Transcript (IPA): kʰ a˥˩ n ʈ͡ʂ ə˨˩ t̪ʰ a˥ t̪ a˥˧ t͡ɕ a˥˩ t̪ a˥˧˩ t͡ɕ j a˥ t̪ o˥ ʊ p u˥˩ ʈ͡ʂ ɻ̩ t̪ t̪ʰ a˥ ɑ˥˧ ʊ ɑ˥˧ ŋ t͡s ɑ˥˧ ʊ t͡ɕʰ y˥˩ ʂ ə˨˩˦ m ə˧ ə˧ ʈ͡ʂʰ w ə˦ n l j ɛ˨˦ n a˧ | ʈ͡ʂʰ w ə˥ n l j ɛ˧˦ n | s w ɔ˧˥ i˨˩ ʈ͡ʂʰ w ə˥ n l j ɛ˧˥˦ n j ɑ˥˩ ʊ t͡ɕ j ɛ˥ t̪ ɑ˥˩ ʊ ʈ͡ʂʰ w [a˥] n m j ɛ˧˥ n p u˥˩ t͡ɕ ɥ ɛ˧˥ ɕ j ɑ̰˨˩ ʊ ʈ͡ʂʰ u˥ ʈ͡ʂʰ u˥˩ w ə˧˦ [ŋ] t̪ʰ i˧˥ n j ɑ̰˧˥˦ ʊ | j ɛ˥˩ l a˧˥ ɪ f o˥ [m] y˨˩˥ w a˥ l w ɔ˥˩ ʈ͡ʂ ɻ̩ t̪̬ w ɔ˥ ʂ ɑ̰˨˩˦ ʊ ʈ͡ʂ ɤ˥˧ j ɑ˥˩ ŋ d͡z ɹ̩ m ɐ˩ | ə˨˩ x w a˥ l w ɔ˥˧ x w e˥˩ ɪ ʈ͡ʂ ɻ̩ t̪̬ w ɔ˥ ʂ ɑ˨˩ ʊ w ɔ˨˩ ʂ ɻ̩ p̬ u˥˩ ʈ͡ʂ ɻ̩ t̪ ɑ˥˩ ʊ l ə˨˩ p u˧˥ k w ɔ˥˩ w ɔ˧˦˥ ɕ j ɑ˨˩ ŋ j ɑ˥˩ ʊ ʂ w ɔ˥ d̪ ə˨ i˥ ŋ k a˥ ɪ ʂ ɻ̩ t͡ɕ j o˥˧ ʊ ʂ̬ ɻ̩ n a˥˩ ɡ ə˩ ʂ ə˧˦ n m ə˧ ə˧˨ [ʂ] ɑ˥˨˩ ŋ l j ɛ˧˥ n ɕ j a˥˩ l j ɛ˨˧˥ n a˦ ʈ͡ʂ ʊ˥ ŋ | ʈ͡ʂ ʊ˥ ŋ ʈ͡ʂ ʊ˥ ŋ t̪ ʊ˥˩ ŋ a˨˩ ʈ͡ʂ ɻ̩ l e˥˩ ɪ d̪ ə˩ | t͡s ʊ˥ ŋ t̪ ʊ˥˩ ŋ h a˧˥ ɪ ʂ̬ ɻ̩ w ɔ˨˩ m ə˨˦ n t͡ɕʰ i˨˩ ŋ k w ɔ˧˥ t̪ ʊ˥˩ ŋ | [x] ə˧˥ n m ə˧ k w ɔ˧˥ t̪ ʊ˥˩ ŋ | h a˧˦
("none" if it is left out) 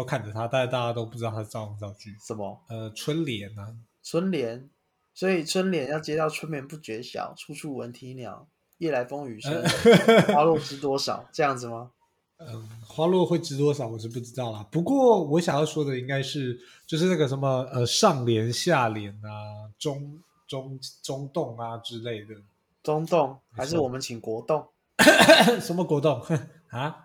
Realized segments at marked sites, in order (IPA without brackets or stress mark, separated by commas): ə˥, n, ŋ, ʂ, ʂ